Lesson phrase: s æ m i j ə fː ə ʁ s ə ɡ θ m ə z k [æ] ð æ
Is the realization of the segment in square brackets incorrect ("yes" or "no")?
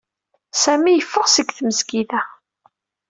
yes